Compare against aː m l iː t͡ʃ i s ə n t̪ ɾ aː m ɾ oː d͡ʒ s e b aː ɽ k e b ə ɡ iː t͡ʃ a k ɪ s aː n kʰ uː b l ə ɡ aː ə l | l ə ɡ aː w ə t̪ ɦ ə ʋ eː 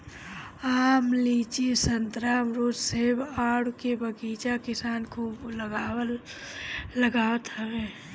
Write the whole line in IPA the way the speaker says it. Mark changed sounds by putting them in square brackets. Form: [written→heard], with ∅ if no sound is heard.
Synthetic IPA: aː m l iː t͡ʃ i s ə n t̪ ɾ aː m ɾ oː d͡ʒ s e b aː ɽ k e b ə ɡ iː t͡ʃ a k ɪ s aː n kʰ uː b l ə ɡ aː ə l | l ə ɡ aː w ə t̪ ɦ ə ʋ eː